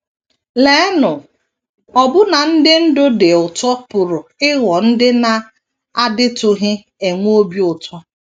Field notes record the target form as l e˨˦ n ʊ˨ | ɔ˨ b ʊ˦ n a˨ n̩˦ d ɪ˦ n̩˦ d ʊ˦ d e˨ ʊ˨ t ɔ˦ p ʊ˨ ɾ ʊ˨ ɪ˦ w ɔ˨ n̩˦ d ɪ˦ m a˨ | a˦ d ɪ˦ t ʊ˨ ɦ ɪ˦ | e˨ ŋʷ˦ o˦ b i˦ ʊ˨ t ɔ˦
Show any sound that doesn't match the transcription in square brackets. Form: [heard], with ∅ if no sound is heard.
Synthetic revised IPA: l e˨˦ n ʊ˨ | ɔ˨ b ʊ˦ n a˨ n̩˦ d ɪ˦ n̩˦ d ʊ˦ d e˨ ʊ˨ t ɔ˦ p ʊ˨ ɾ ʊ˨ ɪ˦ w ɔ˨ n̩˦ d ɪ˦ [n] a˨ | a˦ d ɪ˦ t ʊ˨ ɦ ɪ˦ | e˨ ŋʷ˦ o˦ b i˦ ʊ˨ t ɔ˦

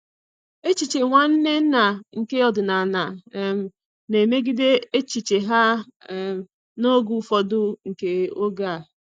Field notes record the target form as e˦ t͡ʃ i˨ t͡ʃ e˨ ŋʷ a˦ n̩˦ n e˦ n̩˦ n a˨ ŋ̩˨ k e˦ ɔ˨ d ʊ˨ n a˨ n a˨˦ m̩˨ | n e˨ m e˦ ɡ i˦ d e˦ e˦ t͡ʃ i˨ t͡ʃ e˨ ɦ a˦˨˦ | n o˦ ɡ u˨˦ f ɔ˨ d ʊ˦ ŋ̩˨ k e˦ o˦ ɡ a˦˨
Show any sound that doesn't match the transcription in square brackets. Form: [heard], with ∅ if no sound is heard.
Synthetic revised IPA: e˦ t͡ʃ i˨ t͡ʃ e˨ ŋʷ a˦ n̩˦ n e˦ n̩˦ n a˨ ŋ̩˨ k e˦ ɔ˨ d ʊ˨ n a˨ n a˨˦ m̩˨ | n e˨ m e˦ ɡ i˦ d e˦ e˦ t͡ʃ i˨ t͡ʃ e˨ ɦ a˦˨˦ | n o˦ ɡ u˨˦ f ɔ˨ d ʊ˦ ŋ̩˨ k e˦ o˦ ɡ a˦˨

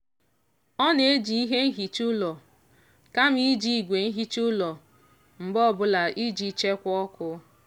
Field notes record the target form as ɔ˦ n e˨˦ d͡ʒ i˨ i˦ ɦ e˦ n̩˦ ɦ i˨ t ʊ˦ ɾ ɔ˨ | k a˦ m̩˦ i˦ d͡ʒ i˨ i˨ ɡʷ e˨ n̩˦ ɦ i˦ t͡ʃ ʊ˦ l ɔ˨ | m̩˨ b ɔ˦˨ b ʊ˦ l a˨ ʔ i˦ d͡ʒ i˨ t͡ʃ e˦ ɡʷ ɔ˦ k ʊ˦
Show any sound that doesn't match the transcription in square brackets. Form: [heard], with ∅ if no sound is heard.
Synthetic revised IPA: ɔ˦ n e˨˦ d͡ʒ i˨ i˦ ɦ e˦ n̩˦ ɦ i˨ [t͡ʃ] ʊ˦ [l] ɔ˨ | k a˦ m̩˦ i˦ d͡ʒ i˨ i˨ ɡʷ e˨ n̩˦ ɦ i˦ t͡ʃ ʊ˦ l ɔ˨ | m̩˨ b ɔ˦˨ b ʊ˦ l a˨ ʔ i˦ d͡ʒ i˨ t͡ʃ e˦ [kʷ] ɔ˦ k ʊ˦

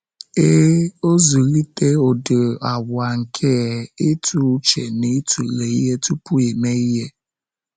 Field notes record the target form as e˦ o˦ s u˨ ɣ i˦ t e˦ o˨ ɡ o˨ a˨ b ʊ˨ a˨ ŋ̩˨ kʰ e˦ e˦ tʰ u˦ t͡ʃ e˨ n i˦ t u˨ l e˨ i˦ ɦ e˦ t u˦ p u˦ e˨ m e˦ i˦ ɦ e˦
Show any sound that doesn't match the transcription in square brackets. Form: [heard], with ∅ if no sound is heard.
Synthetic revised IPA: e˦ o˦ [z] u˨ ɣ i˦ t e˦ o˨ [d] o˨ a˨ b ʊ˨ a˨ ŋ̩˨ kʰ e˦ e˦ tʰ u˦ t͡ʃ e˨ n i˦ t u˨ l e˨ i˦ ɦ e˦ t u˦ p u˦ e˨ m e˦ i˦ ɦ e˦

